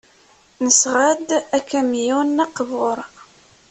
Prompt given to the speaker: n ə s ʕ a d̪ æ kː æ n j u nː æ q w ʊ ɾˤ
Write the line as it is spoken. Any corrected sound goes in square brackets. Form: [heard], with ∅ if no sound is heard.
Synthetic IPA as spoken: n ə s [ʁ] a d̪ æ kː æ [m] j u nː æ q [v] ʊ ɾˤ